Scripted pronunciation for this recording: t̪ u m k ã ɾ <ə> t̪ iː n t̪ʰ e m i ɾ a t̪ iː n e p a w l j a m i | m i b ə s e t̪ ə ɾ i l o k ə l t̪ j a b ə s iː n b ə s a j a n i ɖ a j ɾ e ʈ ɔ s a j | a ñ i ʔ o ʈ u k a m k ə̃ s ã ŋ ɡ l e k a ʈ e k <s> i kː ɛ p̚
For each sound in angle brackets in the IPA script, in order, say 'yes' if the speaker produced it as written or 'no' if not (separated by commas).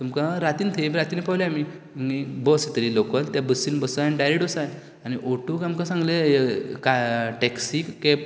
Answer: no, yes